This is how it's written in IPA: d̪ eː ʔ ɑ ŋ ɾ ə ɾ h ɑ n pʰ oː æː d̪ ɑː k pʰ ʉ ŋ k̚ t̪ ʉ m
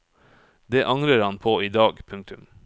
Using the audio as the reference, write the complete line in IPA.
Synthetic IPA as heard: d̪ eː ʔ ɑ ŋ ɾ ə ɾ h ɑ n pʰ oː iː d̪ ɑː ɡ pʰ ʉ ŋ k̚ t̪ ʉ m